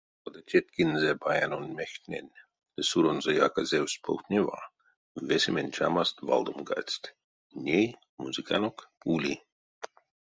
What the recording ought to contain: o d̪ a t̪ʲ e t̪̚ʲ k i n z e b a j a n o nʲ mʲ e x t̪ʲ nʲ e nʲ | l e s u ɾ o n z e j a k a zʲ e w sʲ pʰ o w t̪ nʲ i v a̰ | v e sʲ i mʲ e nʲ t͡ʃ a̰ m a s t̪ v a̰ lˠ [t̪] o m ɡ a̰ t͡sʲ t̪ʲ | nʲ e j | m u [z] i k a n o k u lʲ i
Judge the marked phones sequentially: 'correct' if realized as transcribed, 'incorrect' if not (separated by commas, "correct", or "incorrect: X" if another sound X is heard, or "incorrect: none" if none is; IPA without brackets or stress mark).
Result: incorrect: d̪, correct